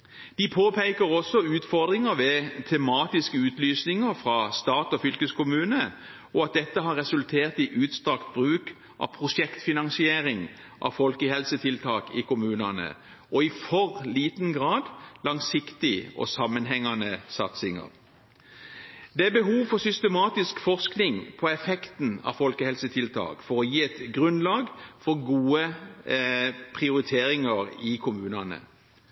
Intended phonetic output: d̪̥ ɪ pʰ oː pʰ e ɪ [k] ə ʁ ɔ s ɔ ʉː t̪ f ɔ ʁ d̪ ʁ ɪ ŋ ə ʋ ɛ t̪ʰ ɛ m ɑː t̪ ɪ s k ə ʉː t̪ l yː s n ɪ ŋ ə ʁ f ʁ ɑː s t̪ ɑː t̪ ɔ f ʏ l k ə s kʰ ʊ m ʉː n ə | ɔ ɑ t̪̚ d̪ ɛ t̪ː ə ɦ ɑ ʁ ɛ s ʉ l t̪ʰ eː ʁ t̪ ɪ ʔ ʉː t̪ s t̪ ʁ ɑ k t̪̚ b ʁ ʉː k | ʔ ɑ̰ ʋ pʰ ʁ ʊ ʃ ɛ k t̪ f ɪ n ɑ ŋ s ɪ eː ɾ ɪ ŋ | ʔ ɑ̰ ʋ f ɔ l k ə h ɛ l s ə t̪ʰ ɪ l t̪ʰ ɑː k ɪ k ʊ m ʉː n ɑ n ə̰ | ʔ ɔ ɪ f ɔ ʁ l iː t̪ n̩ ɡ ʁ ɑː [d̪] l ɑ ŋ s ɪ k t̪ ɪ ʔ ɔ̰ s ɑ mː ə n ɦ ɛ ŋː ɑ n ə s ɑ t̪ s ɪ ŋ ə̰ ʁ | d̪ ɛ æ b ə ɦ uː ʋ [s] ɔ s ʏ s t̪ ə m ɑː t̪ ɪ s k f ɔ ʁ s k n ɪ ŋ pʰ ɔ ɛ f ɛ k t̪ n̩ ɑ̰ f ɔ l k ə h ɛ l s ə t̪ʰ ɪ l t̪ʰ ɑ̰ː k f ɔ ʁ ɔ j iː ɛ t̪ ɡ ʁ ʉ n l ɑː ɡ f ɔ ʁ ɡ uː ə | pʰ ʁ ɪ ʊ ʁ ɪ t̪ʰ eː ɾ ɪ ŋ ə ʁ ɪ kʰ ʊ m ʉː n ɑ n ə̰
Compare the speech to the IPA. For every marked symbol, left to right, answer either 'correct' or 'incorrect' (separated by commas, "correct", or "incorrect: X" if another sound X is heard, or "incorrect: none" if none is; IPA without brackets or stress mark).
correct, correct, incorrect: f